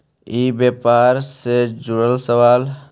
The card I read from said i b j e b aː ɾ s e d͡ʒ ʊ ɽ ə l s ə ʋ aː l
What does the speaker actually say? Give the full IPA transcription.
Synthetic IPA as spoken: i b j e p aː ɾ s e d͡ʒ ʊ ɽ ə l s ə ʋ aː l